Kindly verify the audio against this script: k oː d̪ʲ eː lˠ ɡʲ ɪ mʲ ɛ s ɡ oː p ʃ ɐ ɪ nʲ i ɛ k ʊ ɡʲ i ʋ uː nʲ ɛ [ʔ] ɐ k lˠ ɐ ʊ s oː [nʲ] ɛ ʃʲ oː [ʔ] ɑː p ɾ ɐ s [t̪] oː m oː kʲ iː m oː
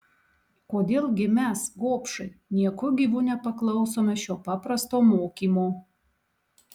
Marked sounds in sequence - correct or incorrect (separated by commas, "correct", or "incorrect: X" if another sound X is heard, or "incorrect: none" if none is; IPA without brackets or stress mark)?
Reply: incorrect: p, incorrect: mʲ, incorrect: p, correct